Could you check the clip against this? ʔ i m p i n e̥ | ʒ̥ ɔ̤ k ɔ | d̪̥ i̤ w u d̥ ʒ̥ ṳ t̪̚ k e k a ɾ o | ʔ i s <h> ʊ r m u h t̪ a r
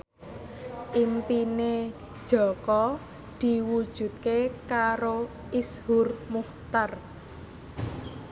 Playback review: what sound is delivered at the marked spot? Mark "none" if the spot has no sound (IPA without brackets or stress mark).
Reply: h